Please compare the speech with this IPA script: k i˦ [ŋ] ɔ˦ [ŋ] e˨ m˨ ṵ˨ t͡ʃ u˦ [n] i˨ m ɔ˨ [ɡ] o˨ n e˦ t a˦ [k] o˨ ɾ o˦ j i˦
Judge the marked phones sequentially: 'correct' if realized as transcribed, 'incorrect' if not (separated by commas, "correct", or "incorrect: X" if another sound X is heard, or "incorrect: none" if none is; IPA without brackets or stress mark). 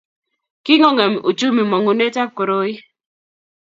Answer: correct, correct, incorrect: m, incorrect: ŋ, correct